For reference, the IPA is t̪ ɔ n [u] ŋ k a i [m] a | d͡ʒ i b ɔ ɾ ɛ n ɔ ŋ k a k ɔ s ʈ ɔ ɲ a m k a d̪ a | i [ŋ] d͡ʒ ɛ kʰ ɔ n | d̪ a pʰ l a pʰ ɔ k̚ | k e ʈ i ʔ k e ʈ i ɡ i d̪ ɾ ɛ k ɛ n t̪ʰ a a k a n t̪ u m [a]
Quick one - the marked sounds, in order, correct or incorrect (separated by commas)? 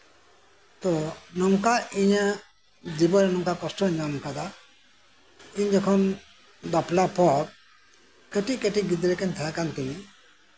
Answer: incorrect, incorrect, incorrect, incorrect